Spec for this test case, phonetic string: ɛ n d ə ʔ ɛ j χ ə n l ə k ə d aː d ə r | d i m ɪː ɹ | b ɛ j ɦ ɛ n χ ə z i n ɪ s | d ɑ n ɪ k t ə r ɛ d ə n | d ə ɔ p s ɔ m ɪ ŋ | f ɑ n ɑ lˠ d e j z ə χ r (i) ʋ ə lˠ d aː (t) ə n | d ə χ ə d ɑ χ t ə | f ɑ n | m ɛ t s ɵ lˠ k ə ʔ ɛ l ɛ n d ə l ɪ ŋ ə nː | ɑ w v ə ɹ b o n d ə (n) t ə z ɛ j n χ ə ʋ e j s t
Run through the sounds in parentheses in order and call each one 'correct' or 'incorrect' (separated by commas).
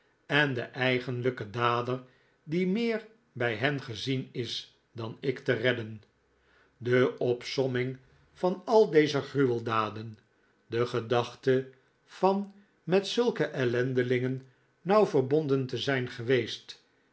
incorrect, incorrect, correct